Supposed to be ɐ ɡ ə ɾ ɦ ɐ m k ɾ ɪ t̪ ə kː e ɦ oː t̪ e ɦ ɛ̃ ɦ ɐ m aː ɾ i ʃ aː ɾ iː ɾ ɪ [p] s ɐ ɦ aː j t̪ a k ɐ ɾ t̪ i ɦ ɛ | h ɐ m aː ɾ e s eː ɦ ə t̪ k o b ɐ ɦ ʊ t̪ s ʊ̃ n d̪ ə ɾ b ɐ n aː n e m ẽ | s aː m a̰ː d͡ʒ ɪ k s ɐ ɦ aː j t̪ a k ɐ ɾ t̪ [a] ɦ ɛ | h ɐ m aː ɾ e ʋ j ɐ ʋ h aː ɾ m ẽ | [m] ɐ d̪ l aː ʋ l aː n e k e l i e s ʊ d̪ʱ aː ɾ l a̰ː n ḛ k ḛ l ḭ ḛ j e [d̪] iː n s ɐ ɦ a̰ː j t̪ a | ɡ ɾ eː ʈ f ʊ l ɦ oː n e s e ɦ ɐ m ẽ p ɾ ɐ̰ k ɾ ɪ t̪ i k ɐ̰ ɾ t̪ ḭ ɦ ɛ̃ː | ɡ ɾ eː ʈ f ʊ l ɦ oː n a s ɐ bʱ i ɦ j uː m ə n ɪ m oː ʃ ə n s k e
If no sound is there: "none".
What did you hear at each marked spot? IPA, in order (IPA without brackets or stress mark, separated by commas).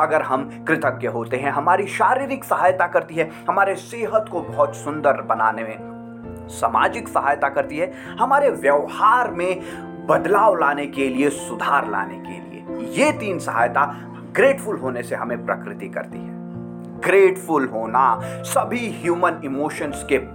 k, i, b, t̪